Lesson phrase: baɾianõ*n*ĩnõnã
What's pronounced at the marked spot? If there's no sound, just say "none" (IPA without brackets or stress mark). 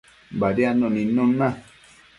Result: n